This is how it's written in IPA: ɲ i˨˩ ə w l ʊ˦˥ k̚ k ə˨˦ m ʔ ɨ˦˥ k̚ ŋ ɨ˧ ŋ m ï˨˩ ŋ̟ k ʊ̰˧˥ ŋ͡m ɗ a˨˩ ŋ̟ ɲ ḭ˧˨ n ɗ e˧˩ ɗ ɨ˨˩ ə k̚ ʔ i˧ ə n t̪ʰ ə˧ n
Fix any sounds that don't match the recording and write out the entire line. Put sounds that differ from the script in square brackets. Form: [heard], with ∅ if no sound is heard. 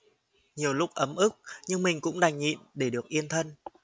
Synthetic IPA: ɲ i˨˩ ə w l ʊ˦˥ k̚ [ʔ] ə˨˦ m ʔ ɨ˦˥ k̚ [ɲ] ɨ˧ ŋ m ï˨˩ ŋ̟ k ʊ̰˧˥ ŋ͡m ɗ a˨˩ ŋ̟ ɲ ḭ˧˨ n ɗ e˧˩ ɗ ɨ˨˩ ə k̚ ʔ i˧ ə n t̪ʰ ə˧ n